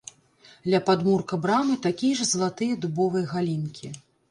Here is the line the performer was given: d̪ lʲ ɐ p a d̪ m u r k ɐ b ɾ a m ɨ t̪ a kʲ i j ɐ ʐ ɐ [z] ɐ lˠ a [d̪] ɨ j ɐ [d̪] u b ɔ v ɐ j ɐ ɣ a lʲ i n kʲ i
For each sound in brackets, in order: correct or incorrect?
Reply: correct, incorrect, correct

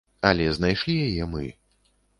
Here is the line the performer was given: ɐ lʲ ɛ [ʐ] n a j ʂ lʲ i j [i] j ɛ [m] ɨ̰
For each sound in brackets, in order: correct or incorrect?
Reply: incorrect, incorrect, correct

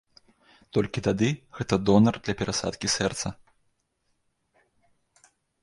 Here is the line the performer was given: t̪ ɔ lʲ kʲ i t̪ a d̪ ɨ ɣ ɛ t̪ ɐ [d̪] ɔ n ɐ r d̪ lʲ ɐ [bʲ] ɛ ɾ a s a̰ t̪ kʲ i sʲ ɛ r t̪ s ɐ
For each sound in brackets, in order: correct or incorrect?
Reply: correct, incorrect

